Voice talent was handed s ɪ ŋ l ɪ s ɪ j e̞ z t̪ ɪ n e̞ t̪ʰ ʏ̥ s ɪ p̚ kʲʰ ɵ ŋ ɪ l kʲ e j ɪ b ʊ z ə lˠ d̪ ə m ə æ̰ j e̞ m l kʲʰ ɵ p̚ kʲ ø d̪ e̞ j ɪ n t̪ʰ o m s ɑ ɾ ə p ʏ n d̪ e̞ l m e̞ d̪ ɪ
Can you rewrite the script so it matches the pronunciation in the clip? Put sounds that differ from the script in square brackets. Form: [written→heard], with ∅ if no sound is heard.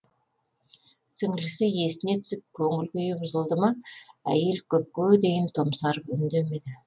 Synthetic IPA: s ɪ ŋ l ɪ s ɪ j e̞ [z→s] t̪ ɪ n e̞ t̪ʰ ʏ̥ s ɪ p̚ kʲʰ ɵ ŋ ɪ l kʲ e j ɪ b ʊ z ə lˠ d̪ ə m [ə→ɑ] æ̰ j e̞ [m→∅] l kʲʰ ɵ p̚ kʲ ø d̪ e̞ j ɪ n t̪ʰ o m s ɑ ɾ ə p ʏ n d̪ e̞ [l→∅] m e̞ d̪ ɪ